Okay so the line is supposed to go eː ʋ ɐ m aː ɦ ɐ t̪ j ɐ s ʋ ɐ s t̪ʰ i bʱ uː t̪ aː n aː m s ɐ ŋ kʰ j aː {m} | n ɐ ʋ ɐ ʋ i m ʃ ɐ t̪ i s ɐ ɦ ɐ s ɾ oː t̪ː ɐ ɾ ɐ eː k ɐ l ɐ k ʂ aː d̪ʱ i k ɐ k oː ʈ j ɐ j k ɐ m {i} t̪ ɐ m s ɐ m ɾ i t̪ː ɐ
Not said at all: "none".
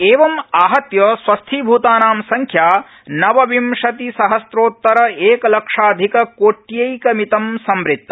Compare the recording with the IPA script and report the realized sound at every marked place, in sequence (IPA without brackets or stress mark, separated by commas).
none, i